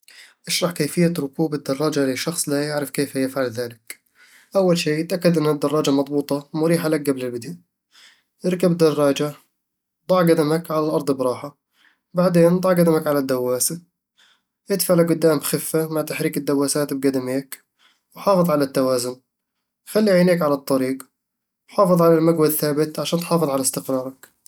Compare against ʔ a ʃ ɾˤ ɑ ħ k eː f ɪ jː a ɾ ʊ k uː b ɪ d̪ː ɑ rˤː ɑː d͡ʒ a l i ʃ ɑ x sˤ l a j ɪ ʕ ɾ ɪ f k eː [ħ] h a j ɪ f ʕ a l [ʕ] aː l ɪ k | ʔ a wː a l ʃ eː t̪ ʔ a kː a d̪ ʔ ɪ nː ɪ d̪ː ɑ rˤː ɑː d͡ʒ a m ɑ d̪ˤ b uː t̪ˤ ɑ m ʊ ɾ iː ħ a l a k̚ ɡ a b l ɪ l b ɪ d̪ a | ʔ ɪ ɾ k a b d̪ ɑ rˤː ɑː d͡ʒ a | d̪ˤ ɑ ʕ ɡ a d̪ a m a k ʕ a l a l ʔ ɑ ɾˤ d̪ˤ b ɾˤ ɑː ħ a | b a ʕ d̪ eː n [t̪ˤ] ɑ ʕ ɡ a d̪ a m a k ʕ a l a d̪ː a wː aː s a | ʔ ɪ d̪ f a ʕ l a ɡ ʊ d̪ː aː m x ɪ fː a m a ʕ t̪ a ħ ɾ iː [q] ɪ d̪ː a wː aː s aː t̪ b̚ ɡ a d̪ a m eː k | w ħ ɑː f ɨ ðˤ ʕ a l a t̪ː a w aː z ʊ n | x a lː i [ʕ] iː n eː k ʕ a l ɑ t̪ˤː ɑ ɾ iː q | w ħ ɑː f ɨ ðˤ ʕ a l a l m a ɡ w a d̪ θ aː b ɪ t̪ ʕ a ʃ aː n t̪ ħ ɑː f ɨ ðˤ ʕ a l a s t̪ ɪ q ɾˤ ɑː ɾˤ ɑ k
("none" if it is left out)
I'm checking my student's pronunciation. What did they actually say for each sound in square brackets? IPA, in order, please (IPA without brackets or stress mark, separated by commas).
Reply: f, ð, d̪ˤ, k, ʕ